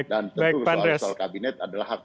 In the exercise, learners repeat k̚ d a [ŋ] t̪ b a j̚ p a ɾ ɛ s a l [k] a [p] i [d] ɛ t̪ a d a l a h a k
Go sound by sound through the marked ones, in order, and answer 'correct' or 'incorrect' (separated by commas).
incorrect, correct, incorrect, incorrect